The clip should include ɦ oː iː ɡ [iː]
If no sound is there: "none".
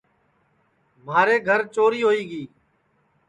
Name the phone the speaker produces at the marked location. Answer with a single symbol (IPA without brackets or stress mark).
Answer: iː